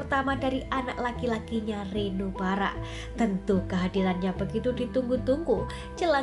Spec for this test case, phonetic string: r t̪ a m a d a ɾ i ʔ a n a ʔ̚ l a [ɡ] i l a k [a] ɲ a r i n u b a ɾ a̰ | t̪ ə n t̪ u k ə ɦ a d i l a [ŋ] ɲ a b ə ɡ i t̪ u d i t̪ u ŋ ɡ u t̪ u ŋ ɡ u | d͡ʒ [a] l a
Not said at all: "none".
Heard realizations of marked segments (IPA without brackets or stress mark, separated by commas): k, i, n, ə